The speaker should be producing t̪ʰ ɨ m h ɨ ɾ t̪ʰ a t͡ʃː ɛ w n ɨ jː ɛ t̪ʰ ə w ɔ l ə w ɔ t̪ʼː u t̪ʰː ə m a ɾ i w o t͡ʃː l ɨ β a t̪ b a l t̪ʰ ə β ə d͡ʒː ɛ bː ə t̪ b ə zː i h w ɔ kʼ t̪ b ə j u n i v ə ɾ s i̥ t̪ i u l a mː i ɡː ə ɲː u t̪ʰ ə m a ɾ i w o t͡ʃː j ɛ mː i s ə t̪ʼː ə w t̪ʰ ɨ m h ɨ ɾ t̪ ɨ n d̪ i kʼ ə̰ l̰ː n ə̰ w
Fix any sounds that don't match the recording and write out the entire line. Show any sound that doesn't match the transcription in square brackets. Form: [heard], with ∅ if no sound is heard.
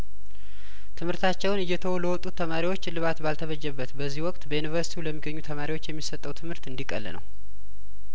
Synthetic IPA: t̪ʰ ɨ m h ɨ ɾ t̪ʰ a t͡ʃː ɛ w n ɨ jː ɛ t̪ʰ ə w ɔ l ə w ɔ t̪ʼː u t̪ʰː ə m a ɾ i w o t͡ʃː l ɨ β a t̪ b a l t̪ʰ ə β ə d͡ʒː ɛ bː ə t̪ b ə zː i h w ɔ kʼ t̪ b ə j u n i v ə ɾ s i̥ t̪ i u l [ə] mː i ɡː ə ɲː u t̪ʰ ə m a ɾ i w o t͡ʃː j ɛ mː i s ə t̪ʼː ə w t̪ʰ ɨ m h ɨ ɾ t̪ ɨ n d̪ i kʼ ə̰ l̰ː n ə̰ w

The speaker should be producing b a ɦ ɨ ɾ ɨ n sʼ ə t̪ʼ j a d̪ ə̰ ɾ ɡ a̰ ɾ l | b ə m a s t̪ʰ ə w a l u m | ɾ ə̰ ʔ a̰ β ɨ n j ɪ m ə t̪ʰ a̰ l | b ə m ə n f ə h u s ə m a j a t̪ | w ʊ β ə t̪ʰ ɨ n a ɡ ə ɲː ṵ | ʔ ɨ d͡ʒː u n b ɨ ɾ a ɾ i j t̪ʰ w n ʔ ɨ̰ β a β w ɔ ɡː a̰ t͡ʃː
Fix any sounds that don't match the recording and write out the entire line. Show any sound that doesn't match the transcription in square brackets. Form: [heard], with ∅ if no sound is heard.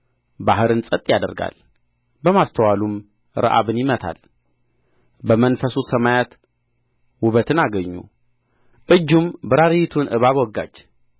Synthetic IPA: b a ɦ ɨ ɾ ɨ n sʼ ə t̪ʼ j a d̪ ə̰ ɾ ɡ a̰ [∅] l | b ə m a s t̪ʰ ə w a l u m | ɾ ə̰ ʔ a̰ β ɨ n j ɪ m ə t̪ʰ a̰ l | b ə m ə n f ə [s] u s ə m a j a t̪ | w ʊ β ə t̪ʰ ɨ n a ɡ ə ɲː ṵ | ʔ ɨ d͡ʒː u [m] b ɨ ɾ a ɾ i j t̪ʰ [u] n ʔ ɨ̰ β a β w ɔ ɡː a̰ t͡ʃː

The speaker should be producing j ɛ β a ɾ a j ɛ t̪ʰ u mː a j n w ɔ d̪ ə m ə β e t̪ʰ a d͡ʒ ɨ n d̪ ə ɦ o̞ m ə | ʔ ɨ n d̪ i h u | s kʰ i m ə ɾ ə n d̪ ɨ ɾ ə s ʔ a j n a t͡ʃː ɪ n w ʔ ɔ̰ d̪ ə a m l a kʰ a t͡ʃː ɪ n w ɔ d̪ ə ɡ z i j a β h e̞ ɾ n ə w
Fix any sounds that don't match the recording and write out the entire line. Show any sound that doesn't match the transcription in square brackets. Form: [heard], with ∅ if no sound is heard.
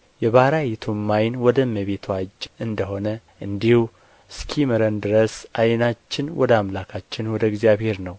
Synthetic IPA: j ɛ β a ɾ a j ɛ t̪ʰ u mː a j n w ɔ d̪ ə m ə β e t̪ʰ a d͡ʒ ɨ n d̪ ə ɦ o̞ [n] ə | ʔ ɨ n d̪ i h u | s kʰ i m ə ɾ ə n d̪ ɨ ɾ ə s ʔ a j n a t͡ʃː ɪ n w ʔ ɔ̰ d̪ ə a m l a kʰ a t͡ʃː ɪ n w ɔ d̪ ə ɡ z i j a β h e̞ ɾ n ə w

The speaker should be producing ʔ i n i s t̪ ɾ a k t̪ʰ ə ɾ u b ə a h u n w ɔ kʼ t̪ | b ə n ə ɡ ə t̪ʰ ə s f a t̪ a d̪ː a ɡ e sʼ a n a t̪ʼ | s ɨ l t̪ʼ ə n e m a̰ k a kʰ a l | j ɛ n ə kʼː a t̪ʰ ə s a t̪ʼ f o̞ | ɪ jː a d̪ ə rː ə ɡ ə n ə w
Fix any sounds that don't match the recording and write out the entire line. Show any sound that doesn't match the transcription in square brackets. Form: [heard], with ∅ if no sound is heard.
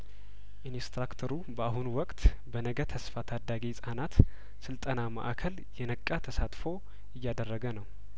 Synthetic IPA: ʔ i n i s t̪ ɾ a k t̪ʰ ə ɾ u b ə a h u n w ɔ kʼ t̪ | b ə n ə ɡ ə t̪ʰ ə s f a [t̪ʰ] a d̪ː a ɡ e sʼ a n a [t̪] | s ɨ l t̪ʼ ə n [a] m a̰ [ʔ] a kʰ [ə] l | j ɛ n ə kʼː a t̪ʰ ə s a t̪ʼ f o̞ | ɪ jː a d̪ ə rː ə ɡ ə n ə w

